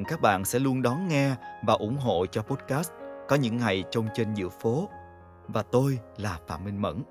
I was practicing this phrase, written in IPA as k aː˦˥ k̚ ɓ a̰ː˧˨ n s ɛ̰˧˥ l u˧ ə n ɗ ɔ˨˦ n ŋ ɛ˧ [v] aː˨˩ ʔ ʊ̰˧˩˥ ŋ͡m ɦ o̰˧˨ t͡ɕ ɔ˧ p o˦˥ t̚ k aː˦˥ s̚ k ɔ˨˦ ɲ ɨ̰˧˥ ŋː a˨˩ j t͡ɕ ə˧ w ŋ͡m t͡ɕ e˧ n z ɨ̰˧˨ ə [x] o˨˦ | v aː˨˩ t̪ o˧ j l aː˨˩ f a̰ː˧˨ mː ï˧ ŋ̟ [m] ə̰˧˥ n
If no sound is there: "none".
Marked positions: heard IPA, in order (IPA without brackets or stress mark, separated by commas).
v, f, m